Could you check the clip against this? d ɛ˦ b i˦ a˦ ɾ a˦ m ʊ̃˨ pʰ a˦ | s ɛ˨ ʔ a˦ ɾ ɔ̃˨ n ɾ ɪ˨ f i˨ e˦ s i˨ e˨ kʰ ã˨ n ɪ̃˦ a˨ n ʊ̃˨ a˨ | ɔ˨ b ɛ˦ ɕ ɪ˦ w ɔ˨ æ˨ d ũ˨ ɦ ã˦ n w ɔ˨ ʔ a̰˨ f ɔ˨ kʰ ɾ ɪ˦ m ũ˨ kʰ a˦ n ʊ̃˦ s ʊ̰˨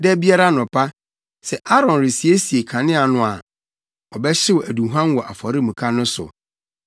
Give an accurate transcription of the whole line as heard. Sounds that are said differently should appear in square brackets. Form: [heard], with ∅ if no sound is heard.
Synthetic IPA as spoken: d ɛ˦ b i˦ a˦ ɾ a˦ [n] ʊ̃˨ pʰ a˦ | s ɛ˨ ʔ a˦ ɾ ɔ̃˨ n ɾ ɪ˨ [s] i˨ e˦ s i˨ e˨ kʰ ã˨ n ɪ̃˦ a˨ n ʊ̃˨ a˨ | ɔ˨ b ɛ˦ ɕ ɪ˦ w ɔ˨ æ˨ d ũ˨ ɦ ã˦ n w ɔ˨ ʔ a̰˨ f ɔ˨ [∅] ɾ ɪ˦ m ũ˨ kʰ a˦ n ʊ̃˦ s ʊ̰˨

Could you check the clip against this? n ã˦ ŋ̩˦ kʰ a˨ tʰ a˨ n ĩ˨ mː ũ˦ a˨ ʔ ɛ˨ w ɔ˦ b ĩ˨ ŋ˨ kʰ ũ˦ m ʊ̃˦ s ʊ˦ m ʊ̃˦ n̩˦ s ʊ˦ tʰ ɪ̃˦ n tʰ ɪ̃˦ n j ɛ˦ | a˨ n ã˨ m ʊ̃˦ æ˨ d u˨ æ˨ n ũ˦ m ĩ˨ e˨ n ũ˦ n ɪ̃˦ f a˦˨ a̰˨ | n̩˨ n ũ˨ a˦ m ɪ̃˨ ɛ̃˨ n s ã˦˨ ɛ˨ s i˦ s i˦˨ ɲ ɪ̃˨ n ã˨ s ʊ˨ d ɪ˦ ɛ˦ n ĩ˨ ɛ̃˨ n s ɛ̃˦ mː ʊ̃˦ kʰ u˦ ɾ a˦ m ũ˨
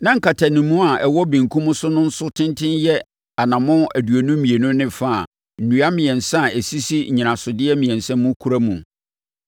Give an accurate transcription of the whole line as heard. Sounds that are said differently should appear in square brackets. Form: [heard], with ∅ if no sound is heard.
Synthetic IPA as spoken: n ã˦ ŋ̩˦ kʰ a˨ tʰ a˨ n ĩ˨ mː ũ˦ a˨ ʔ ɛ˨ w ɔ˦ b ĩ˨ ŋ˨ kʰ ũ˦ m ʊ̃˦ s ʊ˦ [n] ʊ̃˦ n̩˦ s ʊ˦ tʰ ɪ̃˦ n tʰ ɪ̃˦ n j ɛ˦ | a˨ n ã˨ m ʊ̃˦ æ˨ d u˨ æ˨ n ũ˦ m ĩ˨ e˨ n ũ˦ n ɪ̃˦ f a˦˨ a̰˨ | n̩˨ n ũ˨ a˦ m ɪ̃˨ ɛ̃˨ n s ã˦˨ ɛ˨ s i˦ s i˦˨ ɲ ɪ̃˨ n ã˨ s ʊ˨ d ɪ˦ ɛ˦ [m] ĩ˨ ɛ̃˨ n s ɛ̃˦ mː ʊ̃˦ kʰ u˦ ɾ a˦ m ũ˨

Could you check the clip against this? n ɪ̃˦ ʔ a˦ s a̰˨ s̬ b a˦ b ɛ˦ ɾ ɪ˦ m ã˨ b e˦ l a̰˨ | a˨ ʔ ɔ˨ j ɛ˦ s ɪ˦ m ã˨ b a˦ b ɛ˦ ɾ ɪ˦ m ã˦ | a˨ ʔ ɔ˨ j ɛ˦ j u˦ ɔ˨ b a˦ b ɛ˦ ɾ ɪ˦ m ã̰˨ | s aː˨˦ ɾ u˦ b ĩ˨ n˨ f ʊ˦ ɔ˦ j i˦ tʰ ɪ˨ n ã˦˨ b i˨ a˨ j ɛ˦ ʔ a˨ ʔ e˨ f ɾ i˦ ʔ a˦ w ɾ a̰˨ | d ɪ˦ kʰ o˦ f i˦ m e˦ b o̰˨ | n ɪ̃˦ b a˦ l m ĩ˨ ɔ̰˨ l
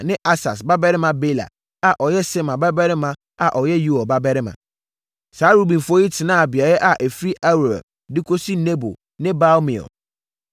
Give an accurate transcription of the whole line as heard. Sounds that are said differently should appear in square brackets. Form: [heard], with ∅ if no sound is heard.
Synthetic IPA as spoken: n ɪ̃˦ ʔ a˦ s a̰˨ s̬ b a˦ b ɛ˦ ɾ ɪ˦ m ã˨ b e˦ l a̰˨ | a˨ ʔ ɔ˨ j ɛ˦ s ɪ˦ m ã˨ b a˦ b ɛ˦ ɾ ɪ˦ m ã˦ | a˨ ʔ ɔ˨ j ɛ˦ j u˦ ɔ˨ b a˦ b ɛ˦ ɾ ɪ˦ m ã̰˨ | s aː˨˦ ɾ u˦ b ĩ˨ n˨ f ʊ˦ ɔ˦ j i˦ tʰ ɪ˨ n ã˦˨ b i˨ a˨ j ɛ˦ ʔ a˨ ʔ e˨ f ɾ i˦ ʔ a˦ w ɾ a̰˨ | d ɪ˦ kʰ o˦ [s] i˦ [n] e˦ b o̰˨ | n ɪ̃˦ b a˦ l m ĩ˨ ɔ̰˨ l

